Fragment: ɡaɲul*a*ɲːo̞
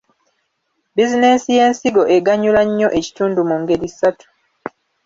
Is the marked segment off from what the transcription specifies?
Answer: no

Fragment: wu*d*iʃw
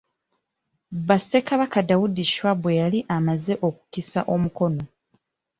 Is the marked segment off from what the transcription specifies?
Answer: no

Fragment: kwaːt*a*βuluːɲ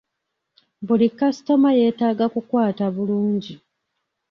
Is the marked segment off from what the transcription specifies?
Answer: no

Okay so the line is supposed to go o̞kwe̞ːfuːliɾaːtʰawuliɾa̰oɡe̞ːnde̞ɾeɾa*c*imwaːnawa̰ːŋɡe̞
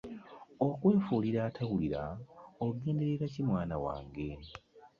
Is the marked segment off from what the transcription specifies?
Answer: no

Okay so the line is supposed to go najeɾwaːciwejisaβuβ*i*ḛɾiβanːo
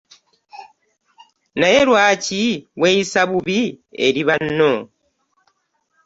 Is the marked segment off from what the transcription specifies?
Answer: no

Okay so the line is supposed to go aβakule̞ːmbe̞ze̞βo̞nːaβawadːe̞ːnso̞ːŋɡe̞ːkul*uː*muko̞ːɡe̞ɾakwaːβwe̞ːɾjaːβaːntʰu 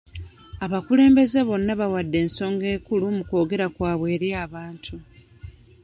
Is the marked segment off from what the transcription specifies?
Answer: yes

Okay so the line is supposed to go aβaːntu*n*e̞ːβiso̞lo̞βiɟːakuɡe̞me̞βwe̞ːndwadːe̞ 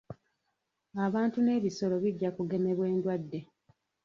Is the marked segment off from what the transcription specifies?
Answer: no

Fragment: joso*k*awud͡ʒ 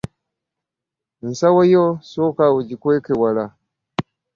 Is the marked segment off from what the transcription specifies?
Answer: no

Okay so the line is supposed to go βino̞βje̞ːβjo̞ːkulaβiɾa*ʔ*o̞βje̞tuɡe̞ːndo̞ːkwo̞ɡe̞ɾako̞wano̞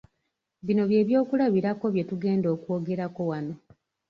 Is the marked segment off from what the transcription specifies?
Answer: yes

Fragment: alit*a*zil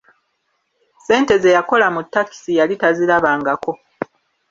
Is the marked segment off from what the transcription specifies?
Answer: no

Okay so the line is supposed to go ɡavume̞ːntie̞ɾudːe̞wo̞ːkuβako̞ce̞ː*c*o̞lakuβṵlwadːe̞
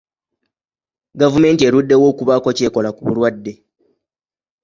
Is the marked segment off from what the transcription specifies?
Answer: yes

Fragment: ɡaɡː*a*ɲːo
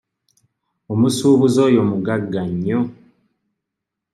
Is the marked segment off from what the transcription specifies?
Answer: no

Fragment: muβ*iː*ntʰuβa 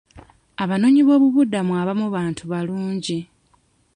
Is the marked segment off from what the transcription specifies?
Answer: yes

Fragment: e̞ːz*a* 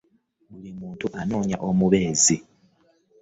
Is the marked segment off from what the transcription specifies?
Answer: yes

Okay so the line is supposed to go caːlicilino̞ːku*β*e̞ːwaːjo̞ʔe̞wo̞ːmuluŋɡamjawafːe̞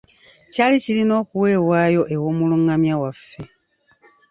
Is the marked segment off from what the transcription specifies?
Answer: yes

